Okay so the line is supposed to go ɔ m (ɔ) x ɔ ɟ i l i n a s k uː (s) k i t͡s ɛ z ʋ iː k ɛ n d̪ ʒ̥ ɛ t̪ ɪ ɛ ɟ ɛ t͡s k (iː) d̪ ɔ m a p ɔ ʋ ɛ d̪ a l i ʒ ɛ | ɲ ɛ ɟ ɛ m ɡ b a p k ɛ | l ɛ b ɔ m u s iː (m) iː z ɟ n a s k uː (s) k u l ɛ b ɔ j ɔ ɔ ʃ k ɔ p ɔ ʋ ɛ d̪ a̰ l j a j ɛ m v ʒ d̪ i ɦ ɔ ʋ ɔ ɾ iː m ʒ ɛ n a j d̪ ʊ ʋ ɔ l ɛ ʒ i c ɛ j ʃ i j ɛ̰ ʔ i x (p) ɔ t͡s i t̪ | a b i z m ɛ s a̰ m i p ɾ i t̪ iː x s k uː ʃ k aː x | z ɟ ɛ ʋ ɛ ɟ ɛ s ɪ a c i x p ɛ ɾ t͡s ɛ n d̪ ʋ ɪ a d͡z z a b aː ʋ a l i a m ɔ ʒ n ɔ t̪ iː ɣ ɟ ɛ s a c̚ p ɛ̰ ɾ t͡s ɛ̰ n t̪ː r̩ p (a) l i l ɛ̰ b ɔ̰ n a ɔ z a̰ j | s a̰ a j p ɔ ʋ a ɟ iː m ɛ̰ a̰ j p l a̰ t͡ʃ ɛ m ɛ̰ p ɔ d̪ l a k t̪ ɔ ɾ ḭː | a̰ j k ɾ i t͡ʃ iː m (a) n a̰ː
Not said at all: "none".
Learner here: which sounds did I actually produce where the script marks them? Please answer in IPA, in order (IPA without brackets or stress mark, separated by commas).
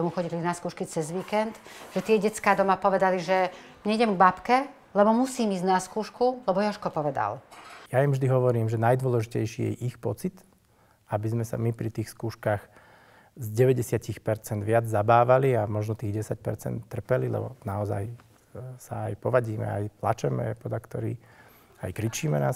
u, ʃ, aː, m, ʃ, p, ɛ, ɛ